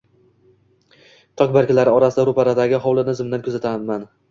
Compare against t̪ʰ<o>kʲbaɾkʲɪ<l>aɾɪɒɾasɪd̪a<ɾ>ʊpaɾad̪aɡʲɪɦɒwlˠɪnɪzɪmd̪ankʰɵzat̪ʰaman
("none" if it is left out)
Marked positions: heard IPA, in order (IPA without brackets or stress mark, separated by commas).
ɒ, l, ɾ